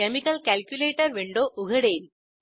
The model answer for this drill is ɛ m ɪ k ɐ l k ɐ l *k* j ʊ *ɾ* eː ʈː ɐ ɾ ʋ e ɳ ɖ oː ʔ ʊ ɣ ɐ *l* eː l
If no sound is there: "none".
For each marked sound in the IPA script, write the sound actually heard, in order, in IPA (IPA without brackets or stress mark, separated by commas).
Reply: k, l, ɽ